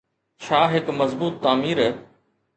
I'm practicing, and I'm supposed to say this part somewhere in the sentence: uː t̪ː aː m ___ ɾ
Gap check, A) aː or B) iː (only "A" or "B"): B